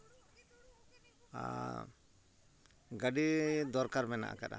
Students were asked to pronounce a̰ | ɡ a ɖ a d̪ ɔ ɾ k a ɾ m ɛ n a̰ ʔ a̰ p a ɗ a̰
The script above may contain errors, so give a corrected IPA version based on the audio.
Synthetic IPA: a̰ | ɡ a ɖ i d̪ ɔ ɾ k a ɾ m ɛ n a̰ ʔ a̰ k a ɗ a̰